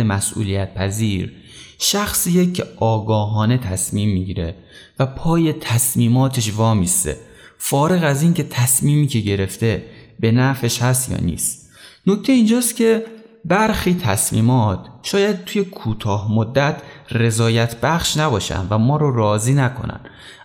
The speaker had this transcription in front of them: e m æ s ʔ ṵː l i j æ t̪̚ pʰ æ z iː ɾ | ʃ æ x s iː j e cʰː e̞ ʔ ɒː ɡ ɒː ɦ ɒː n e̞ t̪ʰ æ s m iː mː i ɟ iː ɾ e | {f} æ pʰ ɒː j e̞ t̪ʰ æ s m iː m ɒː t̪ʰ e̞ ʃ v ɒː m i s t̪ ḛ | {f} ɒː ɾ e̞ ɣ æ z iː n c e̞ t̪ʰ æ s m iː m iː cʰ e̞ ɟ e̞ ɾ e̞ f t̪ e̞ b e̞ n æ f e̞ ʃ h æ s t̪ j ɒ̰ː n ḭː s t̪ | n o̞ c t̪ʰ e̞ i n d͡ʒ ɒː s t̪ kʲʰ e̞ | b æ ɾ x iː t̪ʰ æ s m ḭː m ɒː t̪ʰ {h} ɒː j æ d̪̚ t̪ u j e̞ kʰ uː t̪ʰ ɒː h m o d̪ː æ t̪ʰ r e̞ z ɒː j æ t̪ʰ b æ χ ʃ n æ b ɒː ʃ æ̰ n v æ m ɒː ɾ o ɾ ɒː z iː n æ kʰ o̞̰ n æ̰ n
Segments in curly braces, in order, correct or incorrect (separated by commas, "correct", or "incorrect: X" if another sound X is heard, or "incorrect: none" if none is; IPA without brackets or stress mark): incorrect: v, correct, incorrect: ʃ